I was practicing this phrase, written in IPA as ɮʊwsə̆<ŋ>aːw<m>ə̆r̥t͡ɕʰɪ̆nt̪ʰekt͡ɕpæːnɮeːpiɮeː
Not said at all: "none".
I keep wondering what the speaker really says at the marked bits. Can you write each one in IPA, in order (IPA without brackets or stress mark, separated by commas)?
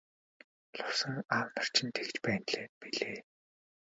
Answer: ŋ, n